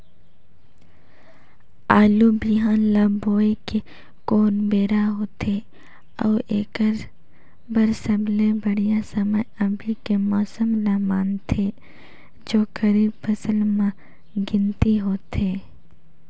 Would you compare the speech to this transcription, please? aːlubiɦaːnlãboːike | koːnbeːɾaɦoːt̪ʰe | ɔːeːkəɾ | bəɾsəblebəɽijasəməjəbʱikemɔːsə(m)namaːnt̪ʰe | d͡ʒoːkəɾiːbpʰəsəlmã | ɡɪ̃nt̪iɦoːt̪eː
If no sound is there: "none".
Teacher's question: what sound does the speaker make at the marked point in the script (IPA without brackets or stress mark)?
m